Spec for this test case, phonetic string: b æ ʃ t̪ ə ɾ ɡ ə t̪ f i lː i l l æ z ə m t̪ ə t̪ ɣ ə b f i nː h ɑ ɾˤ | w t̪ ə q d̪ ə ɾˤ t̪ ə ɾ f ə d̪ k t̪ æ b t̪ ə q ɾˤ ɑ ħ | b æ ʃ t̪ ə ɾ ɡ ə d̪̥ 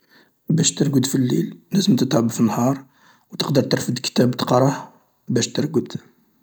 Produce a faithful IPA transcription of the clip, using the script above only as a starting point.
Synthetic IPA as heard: b æ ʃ t̪ ə ɾ ɡ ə d̪ f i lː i l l æ z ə m t̪ ə t̪ ʕ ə b f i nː h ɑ ɾˤ | w t̪ ə q d̪ ə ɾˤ t̪ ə ɾ f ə d̪ k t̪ æ b t̪ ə q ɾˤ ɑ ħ | b æ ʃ t̪ ə ɾ ɡ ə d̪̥